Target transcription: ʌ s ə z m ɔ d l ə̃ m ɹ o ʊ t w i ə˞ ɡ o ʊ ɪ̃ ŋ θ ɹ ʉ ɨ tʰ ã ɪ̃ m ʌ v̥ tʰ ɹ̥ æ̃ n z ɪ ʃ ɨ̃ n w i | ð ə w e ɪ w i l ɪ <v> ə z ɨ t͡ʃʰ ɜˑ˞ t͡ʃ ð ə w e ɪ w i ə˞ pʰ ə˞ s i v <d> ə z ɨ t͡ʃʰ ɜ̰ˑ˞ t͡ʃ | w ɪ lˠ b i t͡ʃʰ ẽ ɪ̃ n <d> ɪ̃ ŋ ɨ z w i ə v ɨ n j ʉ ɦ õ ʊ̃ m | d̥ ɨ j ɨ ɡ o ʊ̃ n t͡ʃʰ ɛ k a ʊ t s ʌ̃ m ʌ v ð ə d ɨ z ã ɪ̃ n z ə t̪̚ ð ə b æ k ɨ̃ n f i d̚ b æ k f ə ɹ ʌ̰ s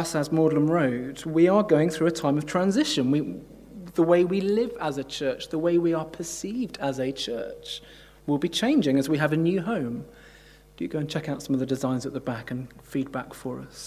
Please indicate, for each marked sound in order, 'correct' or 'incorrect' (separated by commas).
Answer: correct, correct, incorrect